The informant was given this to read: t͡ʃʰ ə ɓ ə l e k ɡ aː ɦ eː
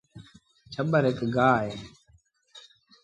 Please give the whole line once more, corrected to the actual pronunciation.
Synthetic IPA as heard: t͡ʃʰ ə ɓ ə ɾ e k ɡ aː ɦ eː

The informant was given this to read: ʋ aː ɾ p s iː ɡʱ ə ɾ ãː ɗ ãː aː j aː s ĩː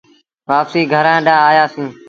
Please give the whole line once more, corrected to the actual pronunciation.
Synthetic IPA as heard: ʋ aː p s iː ɡʱ ə ɾ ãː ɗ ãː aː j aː s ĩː

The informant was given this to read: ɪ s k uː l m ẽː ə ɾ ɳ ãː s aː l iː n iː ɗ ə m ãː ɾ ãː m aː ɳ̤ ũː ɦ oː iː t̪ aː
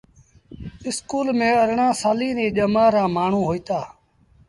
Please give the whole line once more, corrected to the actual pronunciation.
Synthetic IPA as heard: ɪ s k uː l m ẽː ə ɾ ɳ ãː s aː l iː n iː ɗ ə m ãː ɾ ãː m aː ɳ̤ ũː ɦ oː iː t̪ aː

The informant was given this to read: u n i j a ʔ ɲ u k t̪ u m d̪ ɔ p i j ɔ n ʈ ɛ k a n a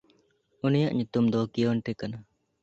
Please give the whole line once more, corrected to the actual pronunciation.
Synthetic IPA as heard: u n i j a ʔ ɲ u t̪ u m d̪ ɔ k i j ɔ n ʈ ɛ k a n a

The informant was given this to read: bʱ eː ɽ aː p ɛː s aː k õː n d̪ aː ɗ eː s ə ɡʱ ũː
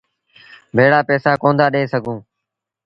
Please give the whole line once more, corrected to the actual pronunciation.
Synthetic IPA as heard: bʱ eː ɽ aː p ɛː s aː k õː n d̪ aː ɗ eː s ə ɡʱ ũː

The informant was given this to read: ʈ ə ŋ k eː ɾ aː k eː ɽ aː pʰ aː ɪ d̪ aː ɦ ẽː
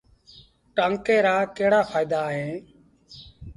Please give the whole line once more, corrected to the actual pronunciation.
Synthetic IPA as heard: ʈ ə ŋ k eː ɾ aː k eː ɽ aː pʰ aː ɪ d̪ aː ɦ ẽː

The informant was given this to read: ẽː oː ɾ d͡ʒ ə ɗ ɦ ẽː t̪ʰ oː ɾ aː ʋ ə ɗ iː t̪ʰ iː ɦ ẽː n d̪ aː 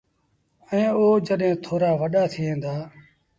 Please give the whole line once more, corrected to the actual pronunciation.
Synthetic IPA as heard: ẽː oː d͡ʒ ə ɗ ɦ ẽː t̪ʰ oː ɾ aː ʋ ə ɗ aː t̪ʰ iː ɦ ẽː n d̪ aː

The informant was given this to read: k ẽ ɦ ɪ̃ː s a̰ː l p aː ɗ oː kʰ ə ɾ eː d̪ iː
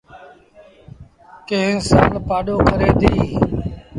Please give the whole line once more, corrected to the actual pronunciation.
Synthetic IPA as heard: k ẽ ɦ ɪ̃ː s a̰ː l p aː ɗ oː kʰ ə ɾ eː d̪ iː

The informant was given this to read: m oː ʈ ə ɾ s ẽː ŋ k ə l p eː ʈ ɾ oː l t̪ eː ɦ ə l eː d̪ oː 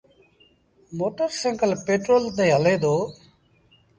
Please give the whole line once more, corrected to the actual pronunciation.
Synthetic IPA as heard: m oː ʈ ə ɾ s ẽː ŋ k ə l p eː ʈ ɾ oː l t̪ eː ɦ ə l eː d̪ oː

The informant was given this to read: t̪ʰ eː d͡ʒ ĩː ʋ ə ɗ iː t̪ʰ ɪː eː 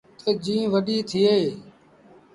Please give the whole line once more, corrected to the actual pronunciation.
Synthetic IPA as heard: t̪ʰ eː d͡ʒ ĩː ʋ ə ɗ iː t̪ʰ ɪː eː

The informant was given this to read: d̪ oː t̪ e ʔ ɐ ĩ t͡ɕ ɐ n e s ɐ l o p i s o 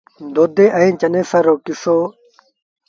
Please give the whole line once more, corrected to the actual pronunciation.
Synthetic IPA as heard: d̪ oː d̪ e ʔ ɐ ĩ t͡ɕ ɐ n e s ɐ ɾ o k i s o

